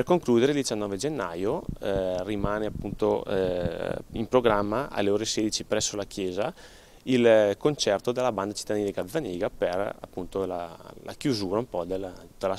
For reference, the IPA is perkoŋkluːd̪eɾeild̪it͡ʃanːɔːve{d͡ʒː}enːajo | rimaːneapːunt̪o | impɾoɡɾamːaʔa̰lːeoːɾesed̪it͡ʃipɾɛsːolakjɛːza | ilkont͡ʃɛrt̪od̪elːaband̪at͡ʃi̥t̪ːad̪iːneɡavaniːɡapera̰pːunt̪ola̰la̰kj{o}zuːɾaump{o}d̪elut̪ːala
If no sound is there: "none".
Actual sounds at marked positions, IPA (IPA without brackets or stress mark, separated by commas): d͡ʒ, u, ɔ